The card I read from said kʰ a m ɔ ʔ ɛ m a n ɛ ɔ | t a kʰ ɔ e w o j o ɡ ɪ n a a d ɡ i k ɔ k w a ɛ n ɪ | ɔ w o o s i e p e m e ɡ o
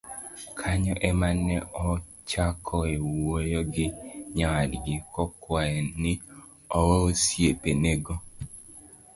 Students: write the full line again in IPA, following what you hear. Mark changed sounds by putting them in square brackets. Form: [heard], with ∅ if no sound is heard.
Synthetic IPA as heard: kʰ a [ɲ] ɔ ʔ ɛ m a n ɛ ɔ | [t͡ʃ] a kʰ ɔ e w o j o ɡ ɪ [ɲ] a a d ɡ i k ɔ k w a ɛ n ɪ | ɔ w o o s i e p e [n] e ɡ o